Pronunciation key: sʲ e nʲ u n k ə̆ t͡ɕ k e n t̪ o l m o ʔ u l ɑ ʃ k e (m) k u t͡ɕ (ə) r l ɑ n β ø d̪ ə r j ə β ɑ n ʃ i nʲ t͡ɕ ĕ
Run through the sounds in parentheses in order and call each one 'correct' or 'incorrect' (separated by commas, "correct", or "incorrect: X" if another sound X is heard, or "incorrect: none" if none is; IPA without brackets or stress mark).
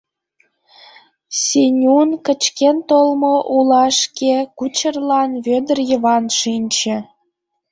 incorrect: none, correct